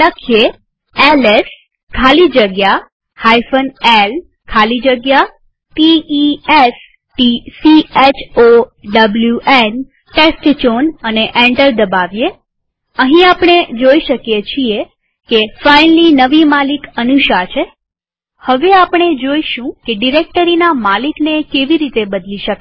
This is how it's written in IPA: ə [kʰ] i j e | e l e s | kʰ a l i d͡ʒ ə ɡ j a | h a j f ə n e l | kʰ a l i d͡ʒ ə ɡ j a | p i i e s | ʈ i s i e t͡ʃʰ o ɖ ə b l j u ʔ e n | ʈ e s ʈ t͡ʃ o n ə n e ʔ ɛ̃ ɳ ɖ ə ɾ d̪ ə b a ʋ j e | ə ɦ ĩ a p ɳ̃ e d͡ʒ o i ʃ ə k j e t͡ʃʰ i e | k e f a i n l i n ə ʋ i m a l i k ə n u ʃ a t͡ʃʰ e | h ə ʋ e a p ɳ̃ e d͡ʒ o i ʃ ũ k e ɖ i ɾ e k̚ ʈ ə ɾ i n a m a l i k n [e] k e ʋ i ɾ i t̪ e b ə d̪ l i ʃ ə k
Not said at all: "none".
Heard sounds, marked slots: kʰ, e

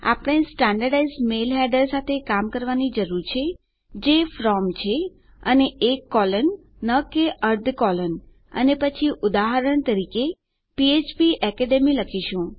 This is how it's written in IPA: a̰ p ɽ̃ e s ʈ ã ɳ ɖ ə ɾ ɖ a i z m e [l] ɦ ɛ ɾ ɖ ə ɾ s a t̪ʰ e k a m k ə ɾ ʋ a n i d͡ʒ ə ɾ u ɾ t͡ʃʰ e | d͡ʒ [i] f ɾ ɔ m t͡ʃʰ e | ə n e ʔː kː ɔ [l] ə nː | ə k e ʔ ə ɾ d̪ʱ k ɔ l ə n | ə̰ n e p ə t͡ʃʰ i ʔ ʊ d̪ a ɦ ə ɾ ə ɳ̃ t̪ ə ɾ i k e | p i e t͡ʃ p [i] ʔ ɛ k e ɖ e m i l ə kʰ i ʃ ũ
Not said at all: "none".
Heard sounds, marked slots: l, e, l, i

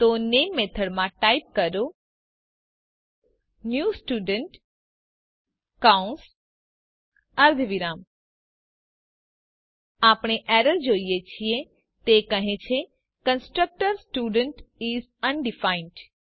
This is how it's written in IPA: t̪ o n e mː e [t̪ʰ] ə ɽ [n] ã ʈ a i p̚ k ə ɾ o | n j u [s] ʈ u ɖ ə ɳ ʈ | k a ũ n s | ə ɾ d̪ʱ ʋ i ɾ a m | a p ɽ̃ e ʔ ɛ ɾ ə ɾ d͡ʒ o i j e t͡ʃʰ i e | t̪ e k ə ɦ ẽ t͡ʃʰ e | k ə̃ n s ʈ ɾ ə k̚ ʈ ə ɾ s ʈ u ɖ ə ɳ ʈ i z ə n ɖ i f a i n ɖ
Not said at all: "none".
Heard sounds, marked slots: t̪ʰ, m, s

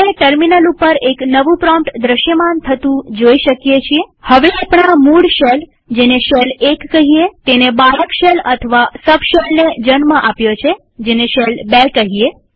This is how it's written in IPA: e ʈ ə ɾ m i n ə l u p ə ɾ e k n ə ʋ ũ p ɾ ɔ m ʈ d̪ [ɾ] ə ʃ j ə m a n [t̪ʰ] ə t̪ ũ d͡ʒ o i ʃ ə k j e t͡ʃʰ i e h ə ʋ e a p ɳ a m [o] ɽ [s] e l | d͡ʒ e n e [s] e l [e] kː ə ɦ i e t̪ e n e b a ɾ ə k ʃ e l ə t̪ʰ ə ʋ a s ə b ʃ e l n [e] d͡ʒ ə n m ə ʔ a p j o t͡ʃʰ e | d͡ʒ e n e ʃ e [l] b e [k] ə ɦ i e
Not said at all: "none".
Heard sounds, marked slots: ɾ, t̪ʰ, u, ʃ, ʃ, e, e, l, k

